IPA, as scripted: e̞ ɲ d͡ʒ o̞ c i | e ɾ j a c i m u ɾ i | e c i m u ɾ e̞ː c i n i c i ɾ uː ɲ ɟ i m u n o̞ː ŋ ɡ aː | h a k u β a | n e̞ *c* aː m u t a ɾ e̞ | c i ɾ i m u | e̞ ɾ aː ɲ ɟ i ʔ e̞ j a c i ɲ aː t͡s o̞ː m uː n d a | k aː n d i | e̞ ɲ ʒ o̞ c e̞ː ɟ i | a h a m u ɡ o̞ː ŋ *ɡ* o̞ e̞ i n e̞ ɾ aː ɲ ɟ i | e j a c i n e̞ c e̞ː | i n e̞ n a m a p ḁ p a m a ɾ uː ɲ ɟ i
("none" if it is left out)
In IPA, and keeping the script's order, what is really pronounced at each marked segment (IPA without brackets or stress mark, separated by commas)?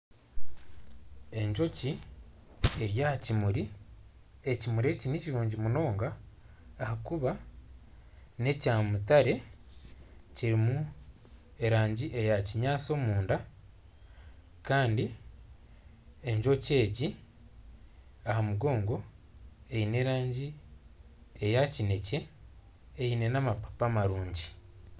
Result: c, ɡ